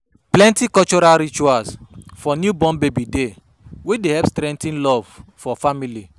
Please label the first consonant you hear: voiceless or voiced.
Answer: voiceless